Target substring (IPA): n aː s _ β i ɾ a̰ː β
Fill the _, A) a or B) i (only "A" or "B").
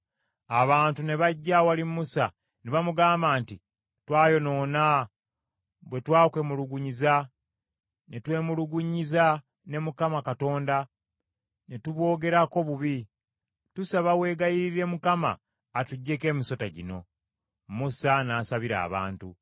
A